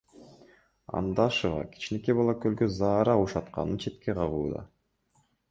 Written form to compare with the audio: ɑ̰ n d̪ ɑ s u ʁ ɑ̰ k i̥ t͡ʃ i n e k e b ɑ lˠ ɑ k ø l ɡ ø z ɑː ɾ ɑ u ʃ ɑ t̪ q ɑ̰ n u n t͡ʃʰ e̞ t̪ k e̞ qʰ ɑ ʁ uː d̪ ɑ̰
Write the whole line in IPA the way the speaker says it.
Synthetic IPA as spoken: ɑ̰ n d̪ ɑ ʃ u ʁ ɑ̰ k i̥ t͡ʃ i n e k e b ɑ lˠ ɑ k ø l ɡ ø z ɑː ɾ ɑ u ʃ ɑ t̪ q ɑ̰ n ɯ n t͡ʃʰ e̞ t̪ k e̞ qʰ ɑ ʁ uː d̪ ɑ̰

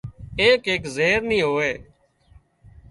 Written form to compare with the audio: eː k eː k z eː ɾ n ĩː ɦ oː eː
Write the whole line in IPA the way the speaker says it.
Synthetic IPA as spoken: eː k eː k z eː ɾ n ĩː ɦ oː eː

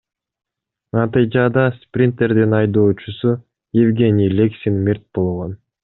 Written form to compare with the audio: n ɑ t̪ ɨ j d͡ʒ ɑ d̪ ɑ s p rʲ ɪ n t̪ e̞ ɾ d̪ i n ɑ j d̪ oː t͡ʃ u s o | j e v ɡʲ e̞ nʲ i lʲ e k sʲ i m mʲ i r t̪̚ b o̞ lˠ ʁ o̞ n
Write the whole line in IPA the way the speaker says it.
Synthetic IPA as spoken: n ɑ t̪ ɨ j d͡ʒ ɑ d̪ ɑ s p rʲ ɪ n t̪ e̞ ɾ d̪ i n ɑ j d̪ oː t͡ʃ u s u | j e v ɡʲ e̞ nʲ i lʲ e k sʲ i n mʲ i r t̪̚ b o̞ lˠ ʁ o̞ n

